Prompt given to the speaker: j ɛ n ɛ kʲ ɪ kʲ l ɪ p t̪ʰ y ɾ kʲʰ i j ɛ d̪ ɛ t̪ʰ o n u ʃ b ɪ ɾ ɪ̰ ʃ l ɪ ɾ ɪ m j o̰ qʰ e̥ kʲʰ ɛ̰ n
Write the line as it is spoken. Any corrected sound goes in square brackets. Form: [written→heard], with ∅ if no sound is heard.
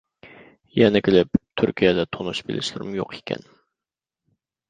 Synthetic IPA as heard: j ɛ n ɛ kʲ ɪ [kʲ→∅] l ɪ p t̪ʰ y ɾ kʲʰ i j ɛ d̪ ɛ t̪ʰ o n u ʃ b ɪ [ɾ→l] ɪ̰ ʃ l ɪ ɾ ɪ m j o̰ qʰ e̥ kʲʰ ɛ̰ n

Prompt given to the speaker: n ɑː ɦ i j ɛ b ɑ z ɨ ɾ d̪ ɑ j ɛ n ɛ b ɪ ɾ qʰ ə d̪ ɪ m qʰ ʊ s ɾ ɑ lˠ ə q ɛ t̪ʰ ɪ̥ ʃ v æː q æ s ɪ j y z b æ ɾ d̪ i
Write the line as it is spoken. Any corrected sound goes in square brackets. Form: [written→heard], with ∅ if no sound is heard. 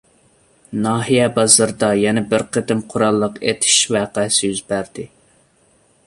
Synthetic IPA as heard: n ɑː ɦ i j ɛ b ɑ z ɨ ɾ d̪ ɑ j ɛ n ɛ b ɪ ɾ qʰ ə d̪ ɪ m qʰ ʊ [s→∅] ɾ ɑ [lˠ→lˠː] ə q [ɛ→e] t̪ʰ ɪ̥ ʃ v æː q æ s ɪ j y z b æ ɾ d̪ [i→ɪ]

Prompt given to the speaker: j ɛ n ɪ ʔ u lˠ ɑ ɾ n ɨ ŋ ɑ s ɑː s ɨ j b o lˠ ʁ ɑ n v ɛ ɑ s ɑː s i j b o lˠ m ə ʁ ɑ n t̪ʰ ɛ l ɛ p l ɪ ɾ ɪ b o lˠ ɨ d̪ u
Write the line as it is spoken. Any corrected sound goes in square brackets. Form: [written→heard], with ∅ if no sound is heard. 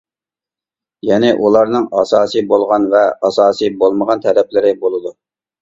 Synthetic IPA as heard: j ɛ n ɪ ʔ u lˠ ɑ ɾ n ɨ ŋ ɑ s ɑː s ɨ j b o lˠ ʁ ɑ n v ɛ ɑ s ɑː s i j b o lˠ m ə ʁ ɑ n t̪ʰ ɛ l ɛ p l ɪ ɾ ɪ b o lˠ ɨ d̪ u

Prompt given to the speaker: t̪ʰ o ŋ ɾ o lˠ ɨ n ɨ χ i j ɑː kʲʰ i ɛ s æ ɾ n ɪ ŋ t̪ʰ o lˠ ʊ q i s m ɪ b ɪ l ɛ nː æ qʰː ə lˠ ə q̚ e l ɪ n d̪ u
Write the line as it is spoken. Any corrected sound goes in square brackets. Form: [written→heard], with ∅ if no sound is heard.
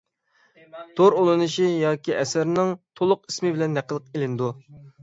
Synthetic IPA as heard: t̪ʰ o [ŋ→∅] ɾ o lˠ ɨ n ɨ [χ→ʃ] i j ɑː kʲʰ i ɛ s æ ɾ n ɪ ŋ t̪ʰ o lˠ ʊ q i s m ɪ b ɪ l ɛ nː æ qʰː ə lˠ ə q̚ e l ɪ n d̪ u

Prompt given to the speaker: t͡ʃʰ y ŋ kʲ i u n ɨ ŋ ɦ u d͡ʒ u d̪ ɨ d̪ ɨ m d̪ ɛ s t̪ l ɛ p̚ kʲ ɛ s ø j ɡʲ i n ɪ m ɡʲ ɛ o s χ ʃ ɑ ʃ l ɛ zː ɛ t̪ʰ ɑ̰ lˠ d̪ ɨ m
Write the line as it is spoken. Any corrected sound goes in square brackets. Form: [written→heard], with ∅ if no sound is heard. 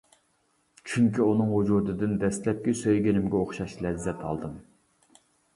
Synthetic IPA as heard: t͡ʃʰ y ŋ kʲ i u n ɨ ŋ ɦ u d͡ʒ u d̪ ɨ d̪ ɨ [m→n] d̪ ɛ s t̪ l ɛ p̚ kʲ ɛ s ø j ɡʲ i n ɪ m ɡʲ ɛ o [s→∅] χ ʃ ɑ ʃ l ɛ zː ɛ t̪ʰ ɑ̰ lˠ d̪ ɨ m

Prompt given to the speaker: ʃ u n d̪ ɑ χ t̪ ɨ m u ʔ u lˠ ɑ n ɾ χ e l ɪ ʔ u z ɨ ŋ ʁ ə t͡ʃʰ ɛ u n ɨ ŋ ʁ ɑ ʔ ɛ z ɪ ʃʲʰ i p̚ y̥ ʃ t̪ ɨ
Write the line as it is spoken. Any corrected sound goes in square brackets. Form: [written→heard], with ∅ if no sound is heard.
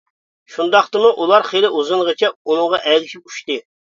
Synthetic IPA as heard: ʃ u n d̪ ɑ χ t̪ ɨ m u ʔ u lˠ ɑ [n→∅] ɾ χ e l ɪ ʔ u z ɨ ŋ ʁ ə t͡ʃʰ ɛ u n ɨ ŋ ʁ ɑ ʔ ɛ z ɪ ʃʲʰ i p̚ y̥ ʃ t̪ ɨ

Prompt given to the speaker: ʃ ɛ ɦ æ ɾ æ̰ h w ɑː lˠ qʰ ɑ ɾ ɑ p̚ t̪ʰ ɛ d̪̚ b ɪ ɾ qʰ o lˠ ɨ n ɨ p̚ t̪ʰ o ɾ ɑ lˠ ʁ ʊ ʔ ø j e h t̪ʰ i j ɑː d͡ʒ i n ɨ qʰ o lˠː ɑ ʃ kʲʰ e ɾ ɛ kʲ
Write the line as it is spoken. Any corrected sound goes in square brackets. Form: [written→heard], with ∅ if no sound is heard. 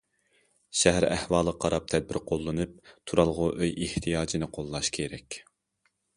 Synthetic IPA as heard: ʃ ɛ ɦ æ ɾ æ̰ h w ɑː lˠ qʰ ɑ ɾ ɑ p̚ t̪ʰ ɛ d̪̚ b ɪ ɾ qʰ o [lˠ→lˠː] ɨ n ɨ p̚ t̪ʰ [o→u] ɾ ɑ lˠ ʁ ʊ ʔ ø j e h t̪ʰ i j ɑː d͡ʒ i n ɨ qʰ o lˠː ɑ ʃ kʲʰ e ɾ ɛ kʲ

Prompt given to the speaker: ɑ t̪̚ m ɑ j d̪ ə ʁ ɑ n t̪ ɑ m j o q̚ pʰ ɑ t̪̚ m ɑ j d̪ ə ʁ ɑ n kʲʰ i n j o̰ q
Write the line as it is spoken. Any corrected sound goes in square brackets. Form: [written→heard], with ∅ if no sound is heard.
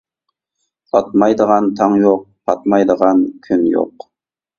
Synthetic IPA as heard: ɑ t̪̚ m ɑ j d̪ ə ʁ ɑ n [t̪→t̪ʰ] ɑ [m→ŋ] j o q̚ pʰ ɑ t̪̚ m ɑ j d̪ ə ʁ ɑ n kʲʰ [i→y] n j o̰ q

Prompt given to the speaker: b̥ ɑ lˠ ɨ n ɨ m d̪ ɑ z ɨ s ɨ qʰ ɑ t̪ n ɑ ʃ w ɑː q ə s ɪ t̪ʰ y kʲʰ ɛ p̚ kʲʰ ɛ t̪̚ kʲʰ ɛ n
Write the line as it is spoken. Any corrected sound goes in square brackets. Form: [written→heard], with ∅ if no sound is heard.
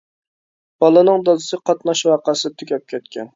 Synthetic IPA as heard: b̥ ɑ lˠ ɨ n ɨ [m→ŋ] d̪ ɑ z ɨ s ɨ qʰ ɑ t̪ n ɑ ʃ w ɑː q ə s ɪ t̪ʰ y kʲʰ ɛ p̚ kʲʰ ɛ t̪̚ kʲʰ ɛ n

